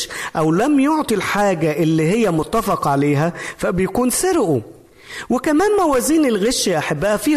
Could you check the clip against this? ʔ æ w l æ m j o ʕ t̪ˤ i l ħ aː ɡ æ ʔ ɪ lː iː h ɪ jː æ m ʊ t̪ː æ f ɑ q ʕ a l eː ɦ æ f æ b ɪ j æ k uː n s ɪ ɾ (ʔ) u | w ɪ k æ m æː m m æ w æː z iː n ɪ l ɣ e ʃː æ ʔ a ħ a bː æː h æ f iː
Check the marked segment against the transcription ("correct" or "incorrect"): correct